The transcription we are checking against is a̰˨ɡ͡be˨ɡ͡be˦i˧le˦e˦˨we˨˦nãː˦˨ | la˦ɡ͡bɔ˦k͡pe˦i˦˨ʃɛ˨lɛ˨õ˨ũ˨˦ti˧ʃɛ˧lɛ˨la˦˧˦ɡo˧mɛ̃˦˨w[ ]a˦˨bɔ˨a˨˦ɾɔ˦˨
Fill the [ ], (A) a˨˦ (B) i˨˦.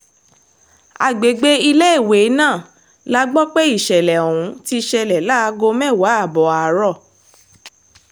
A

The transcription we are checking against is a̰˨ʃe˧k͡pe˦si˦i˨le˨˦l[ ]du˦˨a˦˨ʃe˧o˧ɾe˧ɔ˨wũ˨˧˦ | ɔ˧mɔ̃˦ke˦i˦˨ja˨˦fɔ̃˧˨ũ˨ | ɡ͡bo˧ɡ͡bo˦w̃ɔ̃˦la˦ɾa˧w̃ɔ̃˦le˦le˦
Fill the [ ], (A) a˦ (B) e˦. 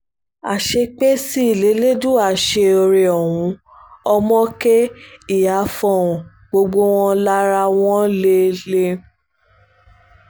B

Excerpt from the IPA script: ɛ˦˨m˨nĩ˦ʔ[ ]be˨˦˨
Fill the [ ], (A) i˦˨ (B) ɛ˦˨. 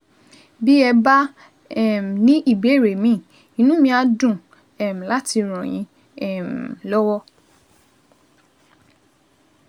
A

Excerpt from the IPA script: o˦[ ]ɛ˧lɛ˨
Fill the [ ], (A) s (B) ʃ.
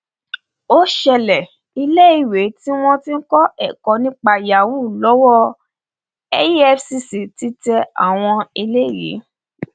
B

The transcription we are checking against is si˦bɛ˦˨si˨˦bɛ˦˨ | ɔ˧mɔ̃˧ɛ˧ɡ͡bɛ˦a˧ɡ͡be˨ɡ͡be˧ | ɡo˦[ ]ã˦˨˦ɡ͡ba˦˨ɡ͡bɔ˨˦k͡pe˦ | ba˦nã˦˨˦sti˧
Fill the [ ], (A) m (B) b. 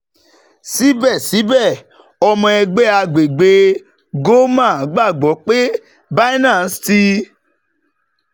A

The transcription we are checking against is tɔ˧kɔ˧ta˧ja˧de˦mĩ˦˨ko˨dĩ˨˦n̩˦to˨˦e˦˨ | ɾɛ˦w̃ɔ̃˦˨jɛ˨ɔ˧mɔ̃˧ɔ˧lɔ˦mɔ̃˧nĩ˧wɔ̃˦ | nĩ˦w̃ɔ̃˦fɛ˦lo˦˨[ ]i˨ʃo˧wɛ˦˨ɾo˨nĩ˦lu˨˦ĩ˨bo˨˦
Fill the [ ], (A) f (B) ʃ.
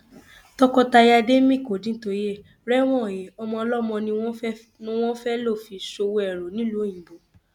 A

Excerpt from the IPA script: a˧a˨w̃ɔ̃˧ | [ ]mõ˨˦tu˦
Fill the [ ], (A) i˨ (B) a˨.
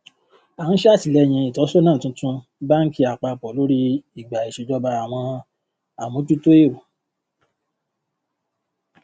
B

